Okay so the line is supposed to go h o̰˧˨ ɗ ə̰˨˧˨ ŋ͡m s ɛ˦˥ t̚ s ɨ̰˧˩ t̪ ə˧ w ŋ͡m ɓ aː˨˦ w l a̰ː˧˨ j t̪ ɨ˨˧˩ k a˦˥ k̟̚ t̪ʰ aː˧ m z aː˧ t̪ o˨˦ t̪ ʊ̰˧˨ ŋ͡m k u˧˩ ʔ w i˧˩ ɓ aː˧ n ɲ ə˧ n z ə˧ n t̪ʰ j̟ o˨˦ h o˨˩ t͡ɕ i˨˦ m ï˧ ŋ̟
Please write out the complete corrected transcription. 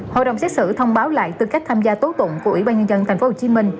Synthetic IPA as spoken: h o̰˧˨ ɗ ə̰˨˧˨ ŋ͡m s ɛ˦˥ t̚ s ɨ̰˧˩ t̪ʰ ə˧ w ŋ͡m ɓ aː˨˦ w l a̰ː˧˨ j t̪ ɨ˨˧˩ k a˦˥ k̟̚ t̪ʰ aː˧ m z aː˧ t̪ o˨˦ t̪ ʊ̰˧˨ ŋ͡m k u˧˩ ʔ w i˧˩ ɓ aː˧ n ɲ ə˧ n z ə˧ n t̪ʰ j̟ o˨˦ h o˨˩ t͡ɕ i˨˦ m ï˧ ŋ̟